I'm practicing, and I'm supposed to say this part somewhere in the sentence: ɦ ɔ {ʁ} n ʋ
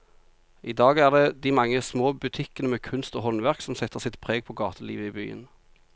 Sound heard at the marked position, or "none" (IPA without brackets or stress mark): none